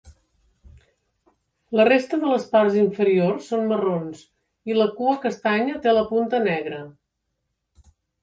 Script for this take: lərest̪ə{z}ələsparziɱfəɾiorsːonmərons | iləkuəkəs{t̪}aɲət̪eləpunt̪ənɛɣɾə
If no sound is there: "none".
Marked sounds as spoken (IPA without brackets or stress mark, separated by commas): ð, t̪